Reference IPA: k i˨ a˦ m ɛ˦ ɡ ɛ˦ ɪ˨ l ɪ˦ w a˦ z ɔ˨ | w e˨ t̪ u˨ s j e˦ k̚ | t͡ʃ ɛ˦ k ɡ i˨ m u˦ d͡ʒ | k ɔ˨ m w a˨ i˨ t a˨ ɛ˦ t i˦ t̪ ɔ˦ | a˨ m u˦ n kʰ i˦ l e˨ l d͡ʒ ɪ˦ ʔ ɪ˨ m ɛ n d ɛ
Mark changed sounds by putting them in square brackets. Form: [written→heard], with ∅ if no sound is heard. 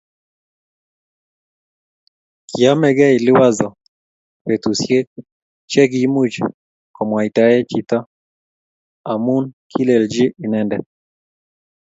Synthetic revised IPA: k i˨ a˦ m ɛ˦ ɡ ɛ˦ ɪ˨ l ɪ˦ w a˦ z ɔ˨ | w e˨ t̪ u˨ s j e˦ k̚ | t͡ʃ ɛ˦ [k→∅] ɡ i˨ m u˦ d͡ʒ | k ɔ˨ m w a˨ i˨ t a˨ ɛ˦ [t→t͡ʃ] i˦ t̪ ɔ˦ | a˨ m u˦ n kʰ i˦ l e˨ l d͡ʒ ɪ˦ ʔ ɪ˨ [m→n] ɛ n d ɛ